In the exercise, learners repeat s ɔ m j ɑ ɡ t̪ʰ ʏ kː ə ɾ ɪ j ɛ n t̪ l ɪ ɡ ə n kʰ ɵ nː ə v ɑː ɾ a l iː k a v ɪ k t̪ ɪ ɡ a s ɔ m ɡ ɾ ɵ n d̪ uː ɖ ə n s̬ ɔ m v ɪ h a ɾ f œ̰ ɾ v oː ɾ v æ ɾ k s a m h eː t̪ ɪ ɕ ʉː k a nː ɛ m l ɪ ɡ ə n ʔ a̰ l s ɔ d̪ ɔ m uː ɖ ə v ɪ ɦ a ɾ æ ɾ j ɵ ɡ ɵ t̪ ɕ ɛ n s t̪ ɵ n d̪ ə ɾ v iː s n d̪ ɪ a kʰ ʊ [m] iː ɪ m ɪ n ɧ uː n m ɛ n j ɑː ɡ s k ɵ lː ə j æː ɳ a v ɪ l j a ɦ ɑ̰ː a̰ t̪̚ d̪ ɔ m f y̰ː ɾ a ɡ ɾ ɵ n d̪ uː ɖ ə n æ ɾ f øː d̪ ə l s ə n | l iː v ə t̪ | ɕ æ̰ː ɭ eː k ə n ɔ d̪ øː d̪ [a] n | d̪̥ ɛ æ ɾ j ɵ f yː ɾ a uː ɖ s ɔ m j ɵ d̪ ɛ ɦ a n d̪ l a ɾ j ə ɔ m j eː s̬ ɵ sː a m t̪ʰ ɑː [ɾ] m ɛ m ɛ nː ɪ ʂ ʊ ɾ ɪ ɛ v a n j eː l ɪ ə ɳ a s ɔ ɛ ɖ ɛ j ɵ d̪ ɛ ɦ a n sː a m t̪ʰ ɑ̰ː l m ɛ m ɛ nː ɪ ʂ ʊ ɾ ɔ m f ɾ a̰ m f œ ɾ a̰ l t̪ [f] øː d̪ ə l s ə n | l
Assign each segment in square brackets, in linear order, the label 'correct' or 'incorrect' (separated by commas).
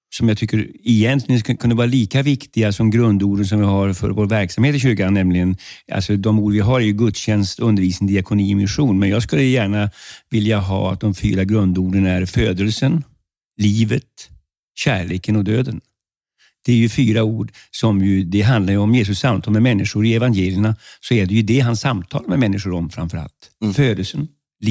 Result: incorrect, incorrect, incorrect, correct